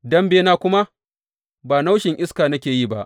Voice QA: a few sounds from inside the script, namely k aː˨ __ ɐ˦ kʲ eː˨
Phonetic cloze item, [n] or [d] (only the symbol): n